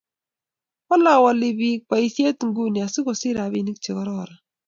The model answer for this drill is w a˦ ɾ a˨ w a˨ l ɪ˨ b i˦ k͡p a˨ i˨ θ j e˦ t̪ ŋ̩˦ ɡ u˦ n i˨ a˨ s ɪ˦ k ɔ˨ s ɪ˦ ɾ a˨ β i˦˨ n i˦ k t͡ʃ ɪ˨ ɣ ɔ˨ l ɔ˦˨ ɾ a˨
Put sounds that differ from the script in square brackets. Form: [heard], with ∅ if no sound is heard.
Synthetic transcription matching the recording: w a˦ [l] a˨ w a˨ l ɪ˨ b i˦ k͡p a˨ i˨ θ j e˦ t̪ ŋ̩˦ ɡ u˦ n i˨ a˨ s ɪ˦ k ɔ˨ s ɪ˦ ɾ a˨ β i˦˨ n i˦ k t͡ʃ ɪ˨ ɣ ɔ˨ [ɾ] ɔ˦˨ ɾ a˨